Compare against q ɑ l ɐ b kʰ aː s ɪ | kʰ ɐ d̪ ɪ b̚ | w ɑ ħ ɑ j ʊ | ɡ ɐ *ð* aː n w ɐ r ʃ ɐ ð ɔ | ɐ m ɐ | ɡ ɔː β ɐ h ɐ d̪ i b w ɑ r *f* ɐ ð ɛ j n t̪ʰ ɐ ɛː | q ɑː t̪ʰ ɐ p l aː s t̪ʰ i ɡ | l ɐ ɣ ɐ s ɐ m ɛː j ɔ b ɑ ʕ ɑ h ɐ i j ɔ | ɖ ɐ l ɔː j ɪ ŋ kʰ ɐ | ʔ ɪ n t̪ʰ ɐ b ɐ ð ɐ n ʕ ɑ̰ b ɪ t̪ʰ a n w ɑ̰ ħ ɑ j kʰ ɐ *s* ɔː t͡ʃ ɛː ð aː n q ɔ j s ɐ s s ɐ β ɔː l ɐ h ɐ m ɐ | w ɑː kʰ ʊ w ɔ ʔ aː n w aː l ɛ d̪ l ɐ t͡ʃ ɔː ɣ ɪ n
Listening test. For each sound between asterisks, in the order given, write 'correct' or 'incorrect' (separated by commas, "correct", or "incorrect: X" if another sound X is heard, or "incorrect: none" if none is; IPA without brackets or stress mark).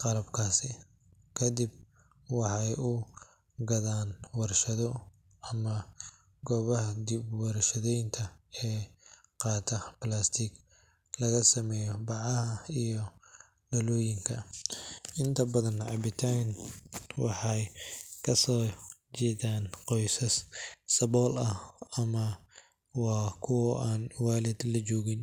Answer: correct, incorrect: ʃ, correct